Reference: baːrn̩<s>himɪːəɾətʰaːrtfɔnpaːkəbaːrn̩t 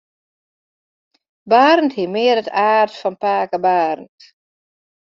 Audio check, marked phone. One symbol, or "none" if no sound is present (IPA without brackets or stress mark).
t